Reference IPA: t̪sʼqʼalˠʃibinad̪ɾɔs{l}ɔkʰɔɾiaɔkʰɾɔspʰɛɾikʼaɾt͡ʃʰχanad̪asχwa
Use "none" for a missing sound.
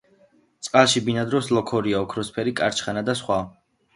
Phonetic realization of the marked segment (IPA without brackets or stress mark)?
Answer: l